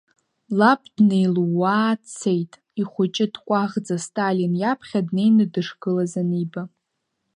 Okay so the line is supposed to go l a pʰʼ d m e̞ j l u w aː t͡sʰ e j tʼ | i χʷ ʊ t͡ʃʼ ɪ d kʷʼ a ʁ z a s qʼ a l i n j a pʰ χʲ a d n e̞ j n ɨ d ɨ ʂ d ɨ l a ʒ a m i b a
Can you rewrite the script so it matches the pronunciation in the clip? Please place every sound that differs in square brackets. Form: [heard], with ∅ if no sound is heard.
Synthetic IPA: l a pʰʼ d [n] e̞ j l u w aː t͡sʰ e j tʼ | i χʷ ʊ t͡ʃʼ ɪ d kʷʼ a ʁ [d͡z] a s [tʼ] a l i n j a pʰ χʲ a d n e̞ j n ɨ d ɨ ʂ [ɡ] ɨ l a [z] a [n] i b a